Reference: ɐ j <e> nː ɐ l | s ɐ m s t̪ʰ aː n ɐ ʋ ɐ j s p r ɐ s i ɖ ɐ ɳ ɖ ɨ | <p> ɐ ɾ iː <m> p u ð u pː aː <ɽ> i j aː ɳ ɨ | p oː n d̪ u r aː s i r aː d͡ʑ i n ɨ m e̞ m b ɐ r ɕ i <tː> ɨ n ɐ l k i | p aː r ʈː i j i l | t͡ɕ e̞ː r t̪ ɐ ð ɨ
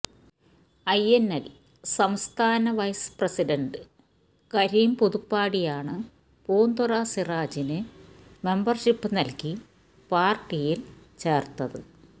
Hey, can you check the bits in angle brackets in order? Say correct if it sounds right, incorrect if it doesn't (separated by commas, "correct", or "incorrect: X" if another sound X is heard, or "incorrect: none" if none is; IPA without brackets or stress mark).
correct, incorrect: k, correct, correct, incorrect: pː